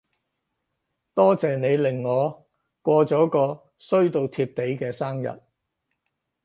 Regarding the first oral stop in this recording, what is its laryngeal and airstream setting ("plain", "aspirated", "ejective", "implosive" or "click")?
plain